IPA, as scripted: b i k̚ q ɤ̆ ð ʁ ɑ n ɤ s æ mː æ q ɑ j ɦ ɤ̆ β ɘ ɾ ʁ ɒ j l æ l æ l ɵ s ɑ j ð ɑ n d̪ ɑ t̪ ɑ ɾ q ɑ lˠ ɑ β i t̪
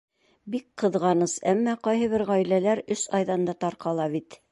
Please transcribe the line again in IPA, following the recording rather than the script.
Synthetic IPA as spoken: b i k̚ q ɤ̆ ð ʁ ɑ n ɤ s æ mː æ q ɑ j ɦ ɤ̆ β ɘ ɾ ʁ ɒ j l æ l æ ɾ ɵ s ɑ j ð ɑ n d̪ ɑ t̪ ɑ ɾ q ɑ lˠ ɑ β i t̪